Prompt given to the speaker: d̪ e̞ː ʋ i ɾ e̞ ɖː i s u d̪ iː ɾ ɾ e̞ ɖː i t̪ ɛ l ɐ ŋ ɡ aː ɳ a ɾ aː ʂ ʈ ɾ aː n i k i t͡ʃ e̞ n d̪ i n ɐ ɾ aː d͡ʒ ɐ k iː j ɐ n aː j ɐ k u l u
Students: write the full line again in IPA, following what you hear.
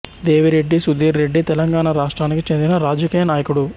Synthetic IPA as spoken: d̪ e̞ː ʋ i ɾ e̞ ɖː i s u d̪ iː ɾ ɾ e̞ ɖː i t̪ ɛ l ɐ ŋ ɡ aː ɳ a ɾ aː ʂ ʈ ɾ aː n i k i t͡ʃ e̞ n d̪ i n ɐ ɾ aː d͡ʒ ɐ k iː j ɐ n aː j ɐ k u ɽ u